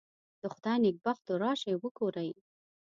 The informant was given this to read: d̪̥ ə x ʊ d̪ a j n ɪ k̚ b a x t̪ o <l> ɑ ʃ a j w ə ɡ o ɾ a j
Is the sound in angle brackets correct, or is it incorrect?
incorrect: ɾ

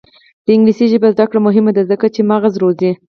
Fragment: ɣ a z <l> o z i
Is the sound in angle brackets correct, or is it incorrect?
incorrect: ɾ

